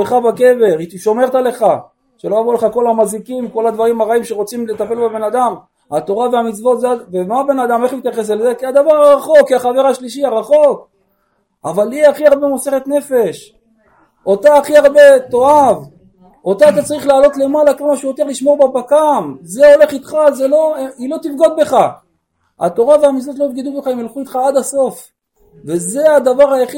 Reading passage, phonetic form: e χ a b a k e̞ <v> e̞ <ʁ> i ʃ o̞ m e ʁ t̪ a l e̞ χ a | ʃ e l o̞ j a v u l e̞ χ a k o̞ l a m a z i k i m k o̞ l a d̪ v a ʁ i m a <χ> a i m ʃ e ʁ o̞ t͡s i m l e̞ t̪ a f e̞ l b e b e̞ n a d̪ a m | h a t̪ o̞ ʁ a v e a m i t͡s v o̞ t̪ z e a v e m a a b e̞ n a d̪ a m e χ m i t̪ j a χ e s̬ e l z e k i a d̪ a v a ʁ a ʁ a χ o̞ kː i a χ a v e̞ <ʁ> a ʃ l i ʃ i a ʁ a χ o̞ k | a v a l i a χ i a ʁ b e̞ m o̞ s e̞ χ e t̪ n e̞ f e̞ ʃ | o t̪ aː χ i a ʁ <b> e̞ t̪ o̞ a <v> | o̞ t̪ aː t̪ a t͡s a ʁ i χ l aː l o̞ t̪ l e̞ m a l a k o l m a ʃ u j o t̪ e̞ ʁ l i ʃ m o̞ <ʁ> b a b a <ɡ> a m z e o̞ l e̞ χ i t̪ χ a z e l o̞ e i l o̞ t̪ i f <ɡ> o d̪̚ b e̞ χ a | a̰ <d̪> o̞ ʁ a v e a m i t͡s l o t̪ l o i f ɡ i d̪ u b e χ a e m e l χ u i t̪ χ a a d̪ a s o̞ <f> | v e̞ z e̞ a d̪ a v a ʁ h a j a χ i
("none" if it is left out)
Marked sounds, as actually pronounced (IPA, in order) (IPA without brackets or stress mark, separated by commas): v, ʁ, ʁ, ʁ, b, v, ʁ, k, ɡ, t̪, f